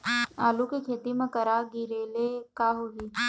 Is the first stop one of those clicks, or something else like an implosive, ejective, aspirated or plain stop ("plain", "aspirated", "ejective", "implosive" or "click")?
plain